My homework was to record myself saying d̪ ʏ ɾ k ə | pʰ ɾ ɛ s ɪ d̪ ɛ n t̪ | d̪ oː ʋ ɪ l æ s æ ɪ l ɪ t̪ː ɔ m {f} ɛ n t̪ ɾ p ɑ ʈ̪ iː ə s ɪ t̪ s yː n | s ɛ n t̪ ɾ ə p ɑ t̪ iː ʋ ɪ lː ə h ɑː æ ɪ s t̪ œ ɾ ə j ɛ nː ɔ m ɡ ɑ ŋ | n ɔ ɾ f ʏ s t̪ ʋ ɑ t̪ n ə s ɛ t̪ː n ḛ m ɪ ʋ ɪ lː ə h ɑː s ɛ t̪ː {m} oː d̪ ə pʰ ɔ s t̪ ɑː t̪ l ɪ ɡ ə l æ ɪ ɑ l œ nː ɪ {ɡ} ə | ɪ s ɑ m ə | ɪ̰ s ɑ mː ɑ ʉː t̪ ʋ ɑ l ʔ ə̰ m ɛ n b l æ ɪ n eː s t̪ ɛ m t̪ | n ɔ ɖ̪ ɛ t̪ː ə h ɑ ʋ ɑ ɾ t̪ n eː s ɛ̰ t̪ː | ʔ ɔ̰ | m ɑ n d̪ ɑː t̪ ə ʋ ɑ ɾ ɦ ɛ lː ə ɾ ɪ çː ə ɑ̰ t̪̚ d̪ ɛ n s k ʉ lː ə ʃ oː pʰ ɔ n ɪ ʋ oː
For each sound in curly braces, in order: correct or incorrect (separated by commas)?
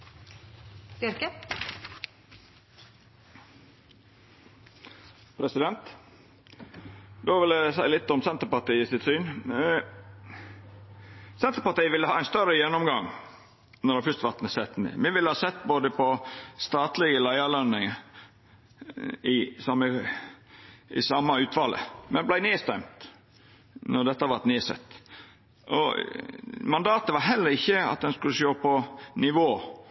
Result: incorrect, incorrect, incorrect